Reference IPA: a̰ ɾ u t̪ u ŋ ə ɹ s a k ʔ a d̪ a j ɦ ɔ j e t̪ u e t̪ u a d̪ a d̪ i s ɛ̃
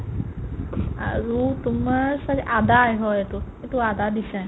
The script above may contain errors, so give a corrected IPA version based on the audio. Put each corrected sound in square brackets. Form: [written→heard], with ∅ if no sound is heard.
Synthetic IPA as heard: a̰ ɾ u t̪ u [ŋ→m] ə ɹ s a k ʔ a d̪ a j ɦ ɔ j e t̪ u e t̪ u a d̪ a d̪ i s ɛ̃